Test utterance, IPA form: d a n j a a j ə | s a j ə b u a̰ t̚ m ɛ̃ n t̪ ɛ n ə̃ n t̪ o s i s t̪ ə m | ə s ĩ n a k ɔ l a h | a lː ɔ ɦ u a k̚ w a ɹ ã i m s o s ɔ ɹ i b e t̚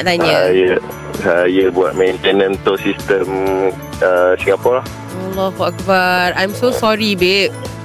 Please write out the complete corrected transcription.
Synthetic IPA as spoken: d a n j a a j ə | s a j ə b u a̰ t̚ m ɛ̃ n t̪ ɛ n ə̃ n t̪ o s i s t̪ ə m | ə s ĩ ŋ a p ɔ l a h | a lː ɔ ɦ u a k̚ b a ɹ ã j m s o s ɔ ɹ i b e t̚